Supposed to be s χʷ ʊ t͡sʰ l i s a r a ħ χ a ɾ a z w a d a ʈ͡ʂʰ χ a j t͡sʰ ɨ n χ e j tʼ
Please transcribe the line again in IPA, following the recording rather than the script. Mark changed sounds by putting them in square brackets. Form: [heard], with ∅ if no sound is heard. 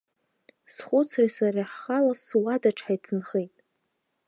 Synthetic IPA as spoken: s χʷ ʊ t͡sʰ [r] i s a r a ħ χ a [l] a [s] w a d a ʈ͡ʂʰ [ħ] a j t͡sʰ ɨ n χ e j tʼ